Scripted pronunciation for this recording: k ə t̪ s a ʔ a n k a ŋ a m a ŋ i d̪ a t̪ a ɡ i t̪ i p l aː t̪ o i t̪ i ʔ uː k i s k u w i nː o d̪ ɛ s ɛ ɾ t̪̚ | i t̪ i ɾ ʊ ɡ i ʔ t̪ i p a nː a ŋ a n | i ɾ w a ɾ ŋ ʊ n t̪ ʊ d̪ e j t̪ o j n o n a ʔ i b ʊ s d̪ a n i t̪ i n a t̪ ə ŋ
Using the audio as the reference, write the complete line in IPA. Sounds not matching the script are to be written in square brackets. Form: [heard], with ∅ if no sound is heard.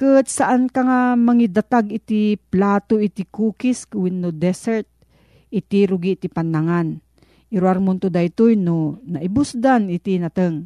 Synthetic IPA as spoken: k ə t̪ s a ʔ a n k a ŋ a m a ŋ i d̪ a t̪ a ɡ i t̪ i p l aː t̪ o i t̪ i [k] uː k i s k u w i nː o d̪ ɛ s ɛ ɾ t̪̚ | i t̪ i ɾ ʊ ɡ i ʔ t̪ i p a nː a ŋ a n | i ɾ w a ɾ [m] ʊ n t̪ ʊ d̪ [a] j t̪ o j n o n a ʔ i b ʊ s d̪ a n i t̪ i n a t̪ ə ŋ